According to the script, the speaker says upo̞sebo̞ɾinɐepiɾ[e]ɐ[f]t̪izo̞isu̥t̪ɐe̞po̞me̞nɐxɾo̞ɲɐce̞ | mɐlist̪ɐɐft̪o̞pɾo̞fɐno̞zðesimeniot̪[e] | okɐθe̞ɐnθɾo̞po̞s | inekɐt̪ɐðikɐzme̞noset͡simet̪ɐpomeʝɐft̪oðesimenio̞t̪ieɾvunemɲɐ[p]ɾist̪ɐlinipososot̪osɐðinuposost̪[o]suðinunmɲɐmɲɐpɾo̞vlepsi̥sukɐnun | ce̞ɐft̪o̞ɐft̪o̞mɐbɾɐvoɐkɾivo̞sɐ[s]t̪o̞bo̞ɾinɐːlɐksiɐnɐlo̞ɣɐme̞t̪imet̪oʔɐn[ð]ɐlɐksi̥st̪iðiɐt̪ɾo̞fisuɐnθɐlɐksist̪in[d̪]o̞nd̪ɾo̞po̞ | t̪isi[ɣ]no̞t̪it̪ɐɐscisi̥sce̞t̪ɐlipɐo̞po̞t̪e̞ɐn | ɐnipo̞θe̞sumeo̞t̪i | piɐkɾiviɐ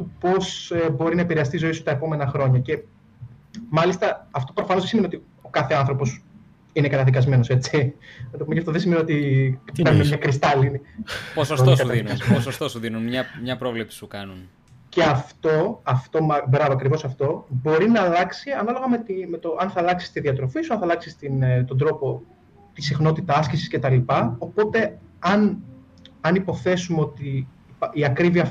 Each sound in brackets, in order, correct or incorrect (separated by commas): correct, incorrect, incorrect, incorrect, correct, incorrect, incorrect, incorrect, incorrect